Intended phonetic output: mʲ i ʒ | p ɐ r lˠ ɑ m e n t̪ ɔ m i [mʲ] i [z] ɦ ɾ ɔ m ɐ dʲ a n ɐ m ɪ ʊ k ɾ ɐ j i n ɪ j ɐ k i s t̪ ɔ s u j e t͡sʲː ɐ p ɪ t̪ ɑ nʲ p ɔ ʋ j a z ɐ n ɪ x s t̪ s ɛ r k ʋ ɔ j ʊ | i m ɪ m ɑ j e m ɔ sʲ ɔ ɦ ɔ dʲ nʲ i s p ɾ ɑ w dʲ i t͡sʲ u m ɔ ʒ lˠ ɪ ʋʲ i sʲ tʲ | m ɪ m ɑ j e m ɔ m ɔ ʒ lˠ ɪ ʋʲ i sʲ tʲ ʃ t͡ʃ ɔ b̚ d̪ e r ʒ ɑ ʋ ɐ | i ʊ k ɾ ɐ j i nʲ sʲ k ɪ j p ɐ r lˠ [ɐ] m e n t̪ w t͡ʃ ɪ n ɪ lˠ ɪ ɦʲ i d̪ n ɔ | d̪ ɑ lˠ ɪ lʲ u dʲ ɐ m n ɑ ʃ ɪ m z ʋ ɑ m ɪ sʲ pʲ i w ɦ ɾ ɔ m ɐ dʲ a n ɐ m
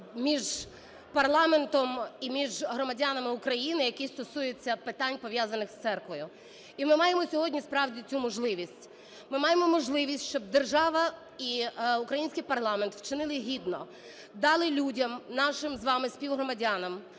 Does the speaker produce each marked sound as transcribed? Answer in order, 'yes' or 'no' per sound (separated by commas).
yes, no, no